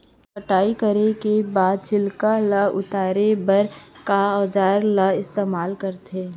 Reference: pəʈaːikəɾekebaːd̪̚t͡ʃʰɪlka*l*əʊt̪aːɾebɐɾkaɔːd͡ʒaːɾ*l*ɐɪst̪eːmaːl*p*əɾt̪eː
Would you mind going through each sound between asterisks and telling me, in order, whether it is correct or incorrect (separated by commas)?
correct, correct, incorrect